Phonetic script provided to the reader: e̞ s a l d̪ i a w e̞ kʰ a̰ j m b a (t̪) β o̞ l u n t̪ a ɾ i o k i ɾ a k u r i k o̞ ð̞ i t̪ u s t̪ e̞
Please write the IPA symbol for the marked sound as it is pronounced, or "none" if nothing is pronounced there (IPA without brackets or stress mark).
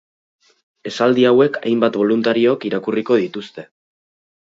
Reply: t̪